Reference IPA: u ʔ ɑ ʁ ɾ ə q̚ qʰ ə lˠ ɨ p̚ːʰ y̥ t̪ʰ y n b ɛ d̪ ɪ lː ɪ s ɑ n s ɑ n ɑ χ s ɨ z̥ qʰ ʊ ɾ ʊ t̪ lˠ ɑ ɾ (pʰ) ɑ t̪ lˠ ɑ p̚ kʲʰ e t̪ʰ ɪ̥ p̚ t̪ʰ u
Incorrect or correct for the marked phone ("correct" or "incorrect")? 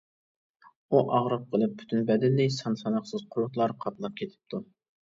incorrect